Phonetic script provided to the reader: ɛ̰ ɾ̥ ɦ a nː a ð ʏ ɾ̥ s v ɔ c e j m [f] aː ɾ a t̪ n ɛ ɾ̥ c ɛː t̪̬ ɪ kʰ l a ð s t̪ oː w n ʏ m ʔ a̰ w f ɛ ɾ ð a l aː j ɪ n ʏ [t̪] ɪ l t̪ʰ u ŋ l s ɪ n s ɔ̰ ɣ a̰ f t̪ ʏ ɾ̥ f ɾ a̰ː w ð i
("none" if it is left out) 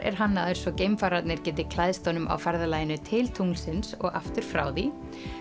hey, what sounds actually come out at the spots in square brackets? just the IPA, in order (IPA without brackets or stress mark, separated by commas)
f, t̪ʰ